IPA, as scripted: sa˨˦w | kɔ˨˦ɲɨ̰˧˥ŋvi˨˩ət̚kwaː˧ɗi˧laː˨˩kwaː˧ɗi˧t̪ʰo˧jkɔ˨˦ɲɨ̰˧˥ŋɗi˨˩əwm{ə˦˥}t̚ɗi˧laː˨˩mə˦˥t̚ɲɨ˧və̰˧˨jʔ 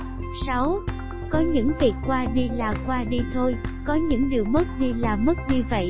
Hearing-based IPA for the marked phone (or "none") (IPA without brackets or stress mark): ə˦˥